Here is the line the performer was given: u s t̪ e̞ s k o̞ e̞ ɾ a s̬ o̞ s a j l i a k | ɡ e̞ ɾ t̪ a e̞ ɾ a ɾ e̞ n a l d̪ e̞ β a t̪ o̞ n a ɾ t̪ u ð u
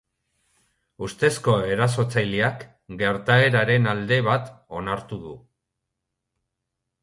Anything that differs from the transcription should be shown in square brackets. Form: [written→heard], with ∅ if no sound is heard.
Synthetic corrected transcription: u s t̪ e̞ s k o̞ e̞ ɾ a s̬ o̞ [s→t͡s] a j l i a k | ɡ e̞ ɾ t̪ a e̞ ɾ a ɾ e̞ n a l d̪ e̞ β a t̪ o̞ n a ɾ t̪ u ð u